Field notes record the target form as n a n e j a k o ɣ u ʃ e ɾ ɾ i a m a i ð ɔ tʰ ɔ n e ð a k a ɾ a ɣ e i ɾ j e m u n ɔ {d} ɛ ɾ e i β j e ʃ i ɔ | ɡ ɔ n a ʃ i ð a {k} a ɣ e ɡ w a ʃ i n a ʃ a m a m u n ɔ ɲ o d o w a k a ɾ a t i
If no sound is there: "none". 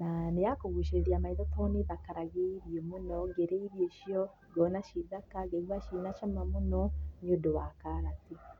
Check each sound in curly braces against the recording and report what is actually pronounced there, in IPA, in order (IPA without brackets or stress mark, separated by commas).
ɡ, k